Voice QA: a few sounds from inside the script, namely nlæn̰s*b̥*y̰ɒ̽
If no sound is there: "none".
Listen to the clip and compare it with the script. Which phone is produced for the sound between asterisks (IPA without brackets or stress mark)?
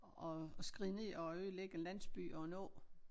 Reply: b̥